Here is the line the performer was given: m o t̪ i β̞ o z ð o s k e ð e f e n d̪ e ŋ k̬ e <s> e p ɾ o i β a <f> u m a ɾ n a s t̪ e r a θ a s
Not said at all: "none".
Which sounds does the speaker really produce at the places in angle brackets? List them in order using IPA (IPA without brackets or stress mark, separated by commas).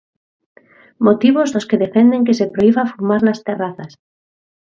s, f